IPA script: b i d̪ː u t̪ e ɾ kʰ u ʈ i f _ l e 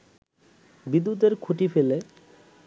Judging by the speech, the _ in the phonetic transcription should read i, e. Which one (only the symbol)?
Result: e